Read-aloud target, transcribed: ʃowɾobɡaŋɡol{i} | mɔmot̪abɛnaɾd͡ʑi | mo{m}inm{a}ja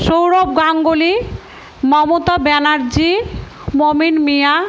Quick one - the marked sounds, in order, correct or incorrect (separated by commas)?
correct, correct, incorrect